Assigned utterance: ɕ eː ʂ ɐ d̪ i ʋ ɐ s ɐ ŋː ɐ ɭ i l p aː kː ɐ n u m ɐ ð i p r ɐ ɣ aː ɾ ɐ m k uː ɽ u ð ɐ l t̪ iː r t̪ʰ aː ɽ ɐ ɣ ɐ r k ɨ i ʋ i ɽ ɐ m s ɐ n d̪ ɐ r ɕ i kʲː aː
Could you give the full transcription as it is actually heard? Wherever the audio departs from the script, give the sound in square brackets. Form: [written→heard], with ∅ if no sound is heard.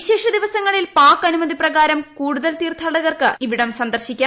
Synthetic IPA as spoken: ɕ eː ʂ ɐ d̪ i ʋ ɐ s ɐ ŋː ɐ ɭ i l p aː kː ɐ n u m ɐ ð i p r ɐ ɣ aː ɾ ɐ m k uː ɽ u ð ɐ l t̪ iː r t̪ʰ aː ɽ ɐ ɣ ɐ r k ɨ i ʋ i ɽ ɐ m s ɐ n d̪ ɐ r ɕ i kʲː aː